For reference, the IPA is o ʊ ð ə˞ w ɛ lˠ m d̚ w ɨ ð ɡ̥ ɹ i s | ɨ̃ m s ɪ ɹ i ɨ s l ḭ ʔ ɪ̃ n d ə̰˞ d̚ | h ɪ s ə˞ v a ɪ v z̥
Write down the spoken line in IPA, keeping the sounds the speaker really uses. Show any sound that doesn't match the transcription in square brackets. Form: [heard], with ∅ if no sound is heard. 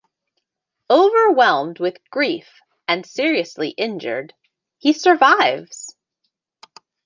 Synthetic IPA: o ʊ [v] ə˞ w ɛ lˠ m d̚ w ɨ ð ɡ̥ ɹ i [f] | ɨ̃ [n] s ɪ ɹ i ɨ s l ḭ ʔ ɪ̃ n [d͡ʒ] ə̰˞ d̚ | h [i] s ə˞ v a ɪ v z̥